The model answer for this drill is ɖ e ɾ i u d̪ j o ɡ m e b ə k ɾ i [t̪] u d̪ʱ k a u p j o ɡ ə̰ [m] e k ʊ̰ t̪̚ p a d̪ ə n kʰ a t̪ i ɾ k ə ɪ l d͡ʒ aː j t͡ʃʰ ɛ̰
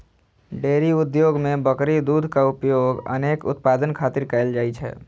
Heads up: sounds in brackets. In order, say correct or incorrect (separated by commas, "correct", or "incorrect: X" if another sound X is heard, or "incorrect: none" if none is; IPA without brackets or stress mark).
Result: incorrect: d̪, incorrect: n